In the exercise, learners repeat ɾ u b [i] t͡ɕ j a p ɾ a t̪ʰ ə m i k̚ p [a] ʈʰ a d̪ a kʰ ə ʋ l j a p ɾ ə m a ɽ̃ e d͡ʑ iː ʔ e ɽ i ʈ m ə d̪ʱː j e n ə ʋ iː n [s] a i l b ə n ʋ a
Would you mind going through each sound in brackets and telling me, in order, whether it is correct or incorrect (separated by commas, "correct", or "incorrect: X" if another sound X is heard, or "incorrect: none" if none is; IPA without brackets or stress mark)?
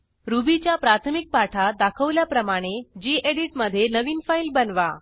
correct, correct, incorrect: f